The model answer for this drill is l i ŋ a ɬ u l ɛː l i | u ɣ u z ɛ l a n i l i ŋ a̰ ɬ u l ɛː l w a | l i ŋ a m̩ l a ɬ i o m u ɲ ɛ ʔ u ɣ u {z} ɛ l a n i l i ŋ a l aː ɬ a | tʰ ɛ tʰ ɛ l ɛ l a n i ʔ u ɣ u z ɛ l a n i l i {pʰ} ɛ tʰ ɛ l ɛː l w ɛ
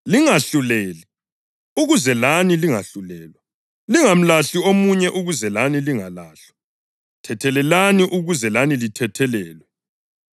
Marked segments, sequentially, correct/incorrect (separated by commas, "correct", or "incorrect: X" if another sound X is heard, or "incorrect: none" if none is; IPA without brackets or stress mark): correct, incorrect: tʰ